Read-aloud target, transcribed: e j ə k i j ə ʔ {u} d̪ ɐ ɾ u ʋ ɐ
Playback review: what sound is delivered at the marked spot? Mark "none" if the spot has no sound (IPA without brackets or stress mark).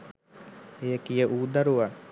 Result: uː